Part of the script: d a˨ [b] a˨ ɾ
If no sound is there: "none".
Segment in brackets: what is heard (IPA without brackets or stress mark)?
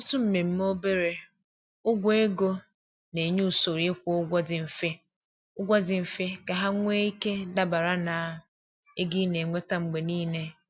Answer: b